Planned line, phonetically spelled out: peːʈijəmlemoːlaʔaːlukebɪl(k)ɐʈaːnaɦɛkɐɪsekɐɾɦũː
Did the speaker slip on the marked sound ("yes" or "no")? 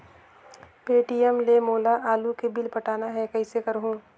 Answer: yes